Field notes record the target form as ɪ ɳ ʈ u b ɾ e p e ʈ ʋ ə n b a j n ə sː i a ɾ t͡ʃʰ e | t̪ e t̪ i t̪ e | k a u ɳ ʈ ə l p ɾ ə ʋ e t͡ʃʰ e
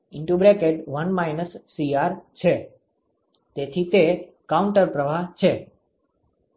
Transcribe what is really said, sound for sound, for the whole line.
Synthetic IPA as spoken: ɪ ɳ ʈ u b ɾ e k e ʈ ʋ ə n m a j n ə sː i a ɾ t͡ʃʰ e | t̪ e t̪ʰ i t̪ e | k a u ɳ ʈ ə ɾ p ɾ ə ʋ a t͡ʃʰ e